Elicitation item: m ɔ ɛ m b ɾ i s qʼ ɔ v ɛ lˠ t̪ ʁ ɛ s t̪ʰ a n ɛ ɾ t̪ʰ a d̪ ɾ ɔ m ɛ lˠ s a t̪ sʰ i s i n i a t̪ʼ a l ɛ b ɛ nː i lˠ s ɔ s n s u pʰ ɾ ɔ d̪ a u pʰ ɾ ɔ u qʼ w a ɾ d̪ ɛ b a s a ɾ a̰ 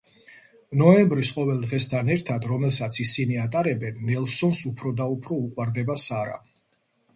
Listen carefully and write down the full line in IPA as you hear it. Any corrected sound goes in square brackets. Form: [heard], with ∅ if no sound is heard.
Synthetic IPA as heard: [n] ɔ ɛ m b ɾ i s qʼ ɔ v ɛ lˠ [d̪] ʁ ɛ s t̪ʰ a n ɛ ɾ t̪ʰ a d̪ ɾ ɔ m ɛ lˠ s a t̪ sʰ i s i n i a t̪ʼ a [ɾ] ɛ b ɛ nː [ɛ] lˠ s ɔ [∅] n s u pʰ ɾ ɔ d̪ a u pʰ ɾ ɔ u qʼ w a ɾ d̪ ɛ b a s a ɾ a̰